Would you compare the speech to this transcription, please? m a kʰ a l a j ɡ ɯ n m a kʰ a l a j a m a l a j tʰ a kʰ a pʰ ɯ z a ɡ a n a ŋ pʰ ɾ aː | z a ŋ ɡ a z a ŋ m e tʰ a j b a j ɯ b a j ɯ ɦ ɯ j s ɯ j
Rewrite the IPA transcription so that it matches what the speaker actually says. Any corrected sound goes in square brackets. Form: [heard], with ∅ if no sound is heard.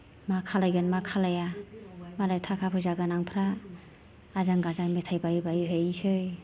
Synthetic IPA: m a kʰ a l a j ɡ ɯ n m a kʰ a l a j a m a l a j tʰ a kʰ a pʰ ɯ z a ɡ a n a ŋ pʰ ɾ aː | z a ŋ ɡ a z a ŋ m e tʰ a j b a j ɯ b a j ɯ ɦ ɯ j s ɯ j